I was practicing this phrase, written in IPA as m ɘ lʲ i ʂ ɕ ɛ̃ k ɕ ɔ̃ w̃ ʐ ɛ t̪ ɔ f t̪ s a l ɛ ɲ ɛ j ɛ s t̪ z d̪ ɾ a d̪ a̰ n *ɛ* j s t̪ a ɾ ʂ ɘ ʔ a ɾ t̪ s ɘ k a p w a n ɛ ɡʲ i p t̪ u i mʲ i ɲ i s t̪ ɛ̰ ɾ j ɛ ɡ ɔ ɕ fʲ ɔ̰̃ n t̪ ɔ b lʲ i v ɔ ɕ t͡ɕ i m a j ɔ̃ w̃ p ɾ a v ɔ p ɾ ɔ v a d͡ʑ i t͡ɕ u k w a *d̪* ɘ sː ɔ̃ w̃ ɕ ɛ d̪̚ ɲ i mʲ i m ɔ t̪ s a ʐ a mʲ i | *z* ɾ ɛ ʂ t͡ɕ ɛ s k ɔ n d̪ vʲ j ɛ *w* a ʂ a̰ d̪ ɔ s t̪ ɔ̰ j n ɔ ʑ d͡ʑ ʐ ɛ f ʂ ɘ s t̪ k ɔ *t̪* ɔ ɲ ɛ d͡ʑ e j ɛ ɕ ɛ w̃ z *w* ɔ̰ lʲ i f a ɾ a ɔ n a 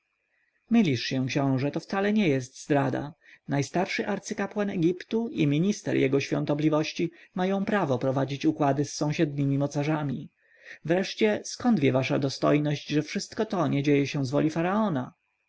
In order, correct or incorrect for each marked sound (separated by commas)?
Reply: incorrect, correct, incorrect, incorrect, correct, incorrect